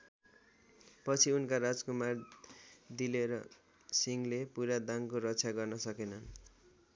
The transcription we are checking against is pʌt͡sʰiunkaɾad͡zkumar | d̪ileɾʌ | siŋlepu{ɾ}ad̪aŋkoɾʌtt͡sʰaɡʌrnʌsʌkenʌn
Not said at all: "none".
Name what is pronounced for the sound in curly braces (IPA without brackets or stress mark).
ɾ